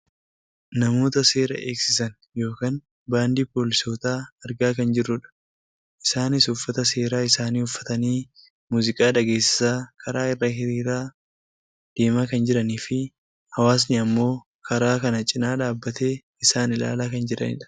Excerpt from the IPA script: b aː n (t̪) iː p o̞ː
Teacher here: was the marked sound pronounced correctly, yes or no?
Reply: no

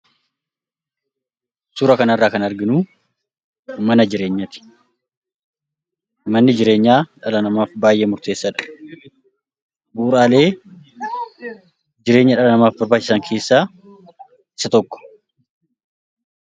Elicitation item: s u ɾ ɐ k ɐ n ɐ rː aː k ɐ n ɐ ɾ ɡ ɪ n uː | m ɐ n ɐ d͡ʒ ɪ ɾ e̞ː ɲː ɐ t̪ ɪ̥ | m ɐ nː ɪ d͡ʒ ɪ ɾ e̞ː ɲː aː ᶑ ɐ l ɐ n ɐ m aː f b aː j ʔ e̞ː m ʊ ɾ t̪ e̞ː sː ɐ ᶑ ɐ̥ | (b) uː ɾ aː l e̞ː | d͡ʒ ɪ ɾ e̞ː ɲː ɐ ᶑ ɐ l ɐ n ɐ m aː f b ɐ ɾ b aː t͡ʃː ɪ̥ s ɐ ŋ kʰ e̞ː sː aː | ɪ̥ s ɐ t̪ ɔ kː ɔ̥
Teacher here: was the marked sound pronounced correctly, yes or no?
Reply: yes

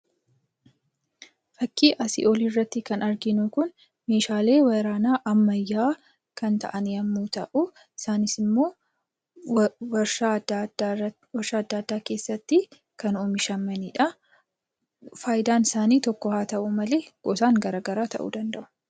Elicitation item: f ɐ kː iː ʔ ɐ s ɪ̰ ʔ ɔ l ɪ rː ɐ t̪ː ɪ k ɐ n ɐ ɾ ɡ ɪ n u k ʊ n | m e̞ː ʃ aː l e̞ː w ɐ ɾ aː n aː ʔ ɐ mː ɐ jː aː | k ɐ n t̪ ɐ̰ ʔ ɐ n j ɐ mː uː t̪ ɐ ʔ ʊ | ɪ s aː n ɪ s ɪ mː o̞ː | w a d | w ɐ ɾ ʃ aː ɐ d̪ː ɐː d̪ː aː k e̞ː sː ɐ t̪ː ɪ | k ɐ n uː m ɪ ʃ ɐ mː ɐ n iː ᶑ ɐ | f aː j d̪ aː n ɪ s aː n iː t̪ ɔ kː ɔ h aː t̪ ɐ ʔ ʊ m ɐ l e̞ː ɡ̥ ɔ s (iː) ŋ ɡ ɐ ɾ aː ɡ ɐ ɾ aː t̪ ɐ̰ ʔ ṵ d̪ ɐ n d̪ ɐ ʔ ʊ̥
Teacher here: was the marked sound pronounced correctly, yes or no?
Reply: no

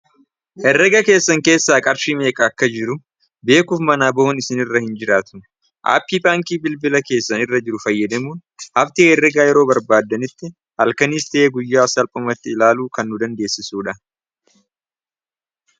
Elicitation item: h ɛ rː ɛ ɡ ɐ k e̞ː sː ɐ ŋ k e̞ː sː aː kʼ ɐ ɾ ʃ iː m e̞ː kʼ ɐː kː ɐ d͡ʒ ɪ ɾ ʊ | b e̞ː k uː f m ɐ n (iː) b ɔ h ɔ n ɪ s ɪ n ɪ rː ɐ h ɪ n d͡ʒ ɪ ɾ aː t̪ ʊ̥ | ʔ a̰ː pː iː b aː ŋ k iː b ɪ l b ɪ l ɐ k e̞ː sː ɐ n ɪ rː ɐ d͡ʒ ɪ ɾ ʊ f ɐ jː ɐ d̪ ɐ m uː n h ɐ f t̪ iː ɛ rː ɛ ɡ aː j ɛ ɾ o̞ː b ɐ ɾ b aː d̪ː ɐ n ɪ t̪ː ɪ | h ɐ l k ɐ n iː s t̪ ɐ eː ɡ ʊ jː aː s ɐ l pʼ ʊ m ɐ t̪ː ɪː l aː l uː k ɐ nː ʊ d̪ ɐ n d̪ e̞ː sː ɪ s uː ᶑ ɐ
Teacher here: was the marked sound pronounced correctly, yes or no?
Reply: no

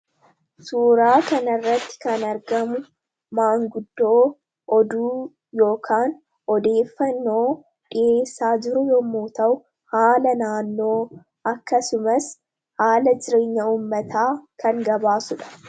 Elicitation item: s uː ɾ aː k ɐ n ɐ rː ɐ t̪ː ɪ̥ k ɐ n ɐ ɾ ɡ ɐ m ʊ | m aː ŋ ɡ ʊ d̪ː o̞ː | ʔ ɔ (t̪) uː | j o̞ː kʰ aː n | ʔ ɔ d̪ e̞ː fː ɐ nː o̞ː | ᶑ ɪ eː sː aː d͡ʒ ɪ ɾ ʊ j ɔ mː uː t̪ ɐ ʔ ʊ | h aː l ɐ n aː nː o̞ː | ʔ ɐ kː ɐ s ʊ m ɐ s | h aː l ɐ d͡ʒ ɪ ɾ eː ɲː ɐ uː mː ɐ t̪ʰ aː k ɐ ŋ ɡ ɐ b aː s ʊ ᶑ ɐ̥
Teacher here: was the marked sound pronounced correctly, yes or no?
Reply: no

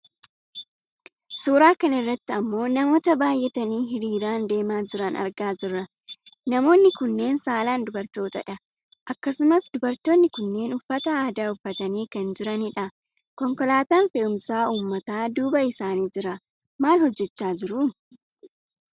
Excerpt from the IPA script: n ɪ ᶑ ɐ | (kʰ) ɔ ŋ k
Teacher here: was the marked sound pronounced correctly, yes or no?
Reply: no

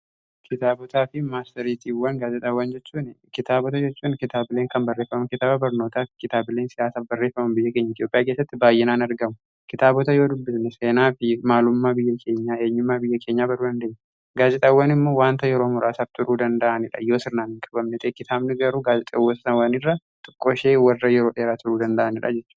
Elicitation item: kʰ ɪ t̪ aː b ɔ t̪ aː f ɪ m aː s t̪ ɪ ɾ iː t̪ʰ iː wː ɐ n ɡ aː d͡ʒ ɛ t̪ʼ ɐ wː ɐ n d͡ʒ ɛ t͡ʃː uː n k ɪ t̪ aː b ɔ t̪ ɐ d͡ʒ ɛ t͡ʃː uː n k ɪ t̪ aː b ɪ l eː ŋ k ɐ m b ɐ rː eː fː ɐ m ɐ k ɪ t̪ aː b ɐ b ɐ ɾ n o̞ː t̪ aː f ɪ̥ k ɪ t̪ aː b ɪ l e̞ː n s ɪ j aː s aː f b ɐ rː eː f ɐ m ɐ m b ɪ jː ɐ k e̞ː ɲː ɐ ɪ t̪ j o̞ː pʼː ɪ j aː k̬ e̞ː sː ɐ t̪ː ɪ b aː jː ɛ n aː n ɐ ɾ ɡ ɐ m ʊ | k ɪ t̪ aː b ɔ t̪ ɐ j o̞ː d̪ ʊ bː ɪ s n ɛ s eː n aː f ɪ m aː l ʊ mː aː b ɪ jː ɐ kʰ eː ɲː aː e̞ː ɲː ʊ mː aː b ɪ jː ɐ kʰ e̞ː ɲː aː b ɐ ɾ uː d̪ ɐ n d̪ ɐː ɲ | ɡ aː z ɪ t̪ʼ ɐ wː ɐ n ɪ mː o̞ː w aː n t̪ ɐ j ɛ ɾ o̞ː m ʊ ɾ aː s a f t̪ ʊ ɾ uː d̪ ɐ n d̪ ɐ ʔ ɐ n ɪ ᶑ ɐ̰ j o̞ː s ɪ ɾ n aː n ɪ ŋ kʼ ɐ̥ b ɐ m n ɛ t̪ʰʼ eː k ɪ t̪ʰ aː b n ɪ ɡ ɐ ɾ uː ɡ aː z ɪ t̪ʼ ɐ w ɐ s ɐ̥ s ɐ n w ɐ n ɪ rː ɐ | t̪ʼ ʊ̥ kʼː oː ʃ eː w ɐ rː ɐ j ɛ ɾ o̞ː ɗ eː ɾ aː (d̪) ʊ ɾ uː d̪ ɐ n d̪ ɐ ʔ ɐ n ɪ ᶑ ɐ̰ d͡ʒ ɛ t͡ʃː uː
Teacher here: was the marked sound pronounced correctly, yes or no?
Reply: no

